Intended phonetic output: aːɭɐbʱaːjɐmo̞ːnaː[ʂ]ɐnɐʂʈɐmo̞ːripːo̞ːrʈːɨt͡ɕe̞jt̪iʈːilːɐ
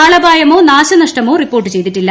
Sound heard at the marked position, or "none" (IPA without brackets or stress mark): ɕ